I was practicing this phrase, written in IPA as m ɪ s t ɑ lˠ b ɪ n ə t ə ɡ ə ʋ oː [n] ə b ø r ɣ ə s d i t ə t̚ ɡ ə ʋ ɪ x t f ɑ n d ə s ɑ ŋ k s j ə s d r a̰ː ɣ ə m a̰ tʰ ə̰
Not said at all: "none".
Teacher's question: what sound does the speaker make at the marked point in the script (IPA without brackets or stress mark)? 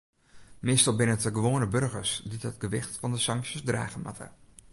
n